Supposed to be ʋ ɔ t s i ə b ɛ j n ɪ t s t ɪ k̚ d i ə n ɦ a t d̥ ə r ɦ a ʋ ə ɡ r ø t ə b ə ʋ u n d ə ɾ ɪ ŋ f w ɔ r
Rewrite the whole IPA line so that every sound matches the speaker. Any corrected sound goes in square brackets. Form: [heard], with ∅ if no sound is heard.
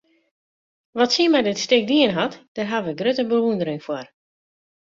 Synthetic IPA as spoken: ʋ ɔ t s i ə [m] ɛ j [d] ɪ t s t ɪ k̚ d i ə n ɦ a t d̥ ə r ɦ a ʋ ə ɡ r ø t ə b ə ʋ u n d ə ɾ ɪ ŋ f w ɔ r